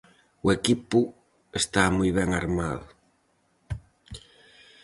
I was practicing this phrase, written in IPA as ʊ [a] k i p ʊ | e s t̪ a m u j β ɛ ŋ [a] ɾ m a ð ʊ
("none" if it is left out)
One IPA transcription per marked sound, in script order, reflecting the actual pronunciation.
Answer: e, a

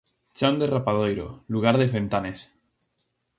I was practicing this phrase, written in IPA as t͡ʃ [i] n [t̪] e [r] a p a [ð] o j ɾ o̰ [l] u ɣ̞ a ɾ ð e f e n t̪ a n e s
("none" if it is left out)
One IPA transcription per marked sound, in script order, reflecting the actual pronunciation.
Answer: a, d̪, r, ð, l

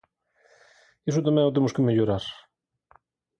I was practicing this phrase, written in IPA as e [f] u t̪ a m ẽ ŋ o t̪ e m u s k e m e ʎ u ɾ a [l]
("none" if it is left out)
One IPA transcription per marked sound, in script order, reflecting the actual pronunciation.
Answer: s, ɾ

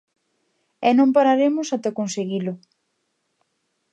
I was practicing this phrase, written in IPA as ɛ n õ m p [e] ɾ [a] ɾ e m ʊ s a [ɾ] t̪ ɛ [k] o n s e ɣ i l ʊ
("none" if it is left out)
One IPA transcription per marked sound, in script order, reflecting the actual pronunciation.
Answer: a, a, none, k

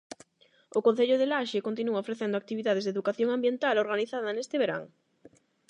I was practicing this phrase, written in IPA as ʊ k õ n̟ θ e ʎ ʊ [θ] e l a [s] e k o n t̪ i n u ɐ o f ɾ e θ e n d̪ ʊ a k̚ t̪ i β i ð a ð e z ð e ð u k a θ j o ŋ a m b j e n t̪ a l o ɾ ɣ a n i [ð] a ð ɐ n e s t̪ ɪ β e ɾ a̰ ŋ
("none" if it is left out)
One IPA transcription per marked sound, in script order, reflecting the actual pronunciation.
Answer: ð, ʃ, θ

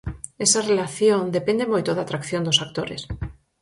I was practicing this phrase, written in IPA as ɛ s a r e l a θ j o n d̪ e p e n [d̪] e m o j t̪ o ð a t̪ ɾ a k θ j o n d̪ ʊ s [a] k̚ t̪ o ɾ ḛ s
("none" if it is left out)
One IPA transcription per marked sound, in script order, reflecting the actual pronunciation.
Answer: d̪, a

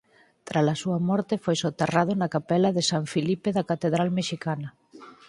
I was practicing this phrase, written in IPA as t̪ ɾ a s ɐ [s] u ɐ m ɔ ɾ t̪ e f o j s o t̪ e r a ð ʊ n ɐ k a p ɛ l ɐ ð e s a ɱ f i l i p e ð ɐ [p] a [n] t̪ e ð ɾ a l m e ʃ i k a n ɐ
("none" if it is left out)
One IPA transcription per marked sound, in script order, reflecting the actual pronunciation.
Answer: s, k, none

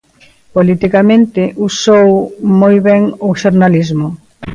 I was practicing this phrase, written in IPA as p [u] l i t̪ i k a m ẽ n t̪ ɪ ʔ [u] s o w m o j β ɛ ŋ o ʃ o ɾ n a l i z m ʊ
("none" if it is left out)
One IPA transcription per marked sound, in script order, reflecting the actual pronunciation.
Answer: o, u

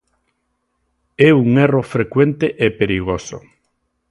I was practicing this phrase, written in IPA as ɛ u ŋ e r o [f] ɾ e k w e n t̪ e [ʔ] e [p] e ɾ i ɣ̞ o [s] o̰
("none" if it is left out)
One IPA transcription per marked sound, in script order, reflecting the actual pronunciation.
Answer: f, ʔ, p, s

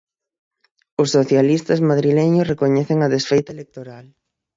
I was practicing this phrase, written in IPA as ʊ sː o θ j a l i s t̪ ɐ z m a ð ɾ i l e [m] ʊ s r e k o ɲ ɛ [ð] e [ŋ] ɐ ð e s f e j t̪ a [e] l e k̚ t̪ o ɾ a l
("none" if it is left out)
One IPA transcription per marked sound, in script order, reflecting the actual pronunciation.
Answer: ɲ, θ, ŋ, e

